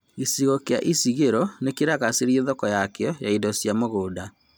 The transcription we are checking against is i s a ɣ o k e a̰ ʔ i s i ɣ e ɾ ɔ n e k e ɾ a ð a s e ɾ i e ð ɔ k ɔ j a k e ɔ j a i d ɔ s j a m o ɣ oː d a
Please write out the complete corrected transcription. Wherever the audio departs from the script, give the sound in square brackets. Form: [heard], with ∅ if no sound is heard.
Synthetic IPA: i s [i] ɣ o k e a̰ ʔ i s i ɣ e ɾ ɔ n e k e ɾ a [ɣ] a s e ɾ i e ð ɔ k ɔ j a k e ɔ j a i d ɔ s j a m o ɣ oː d a